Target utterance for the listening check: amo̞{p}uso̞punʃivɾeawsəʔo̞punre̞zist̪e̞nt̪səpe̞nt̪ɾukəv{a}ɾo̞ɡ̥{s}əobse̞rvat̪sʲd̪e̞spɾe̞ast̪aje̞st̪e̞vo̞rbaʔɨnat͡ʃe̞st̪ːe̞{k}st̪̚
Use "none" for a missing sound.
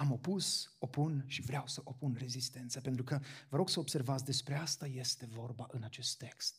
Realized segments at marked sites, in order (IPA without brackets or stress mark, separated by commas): p, ə, s, k